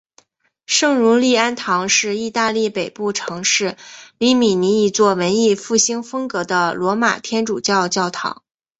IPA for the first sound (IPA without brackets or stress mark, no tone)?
ʂ